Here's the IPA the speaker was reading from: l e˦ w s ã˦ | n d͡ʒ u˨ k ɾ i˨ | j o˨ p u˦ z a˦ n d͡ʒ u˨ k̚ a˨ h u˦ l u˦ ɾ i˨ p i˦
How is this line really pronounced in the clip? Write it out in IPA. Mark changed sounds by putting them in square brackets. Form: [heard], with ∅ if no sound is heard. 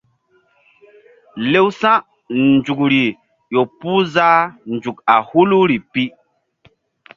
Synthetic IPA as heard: l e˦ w s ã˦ | n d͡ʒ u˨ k ɾ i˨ | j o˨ p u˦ z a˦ n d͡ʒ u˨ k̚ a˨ h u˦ l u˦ ɾ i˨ p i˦